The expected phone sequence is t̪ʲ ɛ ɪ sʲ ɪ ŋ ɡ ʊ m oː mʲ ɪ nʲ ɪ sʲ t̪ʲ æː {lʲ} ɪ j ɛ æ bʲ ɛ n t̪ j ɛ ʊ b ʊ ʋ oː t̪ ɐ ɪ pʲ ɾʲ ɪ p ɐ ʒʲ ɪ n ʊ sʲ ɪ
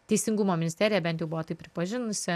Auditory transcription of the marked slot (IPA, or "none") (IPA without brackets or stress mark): ɾʲ